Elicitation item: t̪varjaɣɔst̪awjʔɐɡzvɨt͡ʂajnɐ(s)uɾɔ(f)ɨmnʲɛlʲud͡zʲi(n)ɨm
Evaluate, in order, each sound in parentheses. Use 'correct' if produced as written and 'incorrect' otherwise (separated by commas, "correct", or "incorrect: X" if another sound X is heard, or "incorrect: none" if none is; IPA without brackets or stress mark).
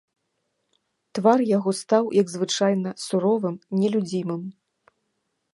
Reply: correct, incorrect: v, incorrect: m